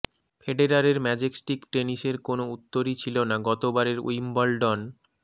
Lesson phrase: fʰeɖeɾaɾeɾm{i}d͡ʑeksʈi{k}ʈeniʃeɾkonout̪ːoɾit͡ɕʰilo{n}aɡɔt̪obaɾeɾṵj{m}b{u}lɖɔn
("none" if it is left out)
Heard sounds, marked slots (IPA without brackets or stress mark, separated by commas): ɛ, k, n, m, ɔ